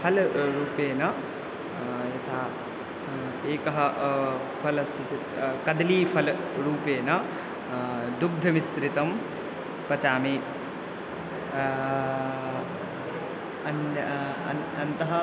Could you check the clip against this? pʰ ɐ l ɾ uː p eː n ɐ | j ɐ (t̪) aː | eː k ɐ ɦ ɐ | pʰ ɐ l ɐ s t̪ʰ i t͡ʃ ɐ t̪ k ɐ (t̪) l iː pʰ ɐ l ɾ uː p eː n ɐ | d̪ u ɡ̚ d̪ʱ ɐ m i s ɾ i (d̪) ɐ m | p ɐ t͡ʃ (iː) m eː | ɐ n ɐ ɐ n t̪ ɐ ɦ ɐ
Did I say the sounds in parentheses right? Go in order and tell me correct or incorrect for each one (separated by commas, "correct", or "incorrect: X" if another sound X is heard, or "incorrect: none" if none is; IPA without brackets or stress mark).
incorrect: t̪ʰ, incorrect: d̪, incorrect: t̪, incorrect: aː